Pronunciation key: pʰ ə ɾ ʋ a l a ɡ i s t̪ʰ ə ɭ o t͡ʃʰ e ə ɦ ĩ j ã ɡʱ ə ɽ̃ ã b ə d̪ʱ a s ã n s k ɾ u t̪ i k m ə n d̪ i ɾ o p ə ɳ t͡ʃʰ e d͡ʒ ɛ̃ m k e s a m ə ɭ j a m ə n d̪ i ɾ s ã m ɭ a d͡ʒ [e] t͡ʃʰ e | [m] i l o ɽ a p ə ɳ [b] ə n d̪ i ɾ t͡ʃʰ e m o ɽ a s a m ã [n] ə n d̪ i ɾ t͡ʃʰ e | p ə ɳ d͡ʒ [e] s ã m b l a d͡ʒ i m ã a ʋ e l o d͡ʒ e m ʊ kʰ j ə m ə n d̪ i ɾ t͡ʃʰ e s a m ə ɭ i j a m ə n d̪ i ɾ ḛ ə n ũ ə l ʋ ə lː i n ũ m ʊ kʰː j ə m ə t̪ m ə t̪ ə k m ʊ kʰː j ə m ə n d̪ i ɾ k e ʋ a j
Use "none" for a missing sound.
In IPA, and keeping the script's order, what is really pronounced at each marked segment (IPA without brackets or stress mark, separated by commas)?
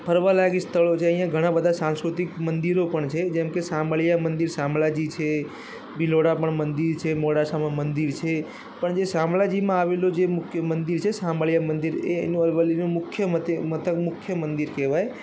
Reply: i, b, m, m, e